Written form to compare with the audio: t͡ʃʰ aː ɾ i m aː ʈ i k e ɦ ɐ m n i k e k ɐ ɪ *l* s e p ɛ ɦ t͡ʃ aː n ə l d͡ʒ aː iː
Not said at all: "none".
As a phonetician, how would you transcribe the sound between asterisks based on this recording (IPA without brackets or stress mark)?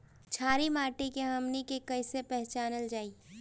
none